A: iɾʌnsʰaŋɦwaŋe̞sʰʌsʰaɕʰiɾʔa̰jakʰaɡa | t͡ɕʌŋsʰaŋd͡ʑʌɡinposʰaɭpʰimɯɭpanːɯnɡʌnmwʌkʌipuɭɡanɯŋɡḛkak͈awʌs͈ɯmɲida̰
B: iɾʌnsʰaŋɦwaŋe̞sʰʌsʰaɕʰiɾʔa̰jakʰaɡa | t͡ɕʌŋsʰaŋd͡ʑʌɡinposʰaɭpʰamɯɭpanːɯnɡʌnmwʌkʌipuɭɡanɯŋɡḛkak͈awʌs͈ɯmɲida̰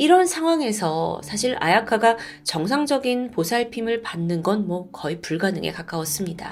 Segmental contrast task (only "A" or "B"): A